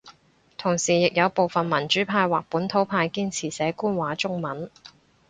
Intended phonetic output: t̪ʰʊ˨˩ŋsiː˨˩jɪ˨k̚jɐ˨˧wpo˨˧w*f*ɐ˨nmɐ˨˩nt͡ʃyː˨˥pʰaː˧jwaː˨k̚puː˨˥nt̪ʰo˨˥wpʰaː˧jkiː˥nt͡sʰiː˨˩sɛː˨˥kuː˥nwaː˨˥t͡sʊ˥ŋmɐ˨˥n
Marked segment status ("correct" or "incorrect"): correct